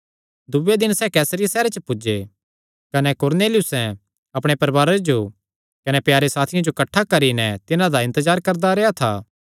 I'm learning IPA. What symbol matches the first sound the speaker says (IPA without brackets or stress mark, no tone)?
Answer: d̪